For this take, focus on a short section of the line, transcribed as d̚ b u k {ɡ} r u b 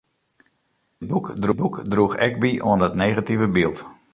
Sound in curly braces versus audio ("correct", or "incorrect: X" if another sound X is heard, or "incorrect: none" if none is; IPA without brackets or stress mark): incorrect: d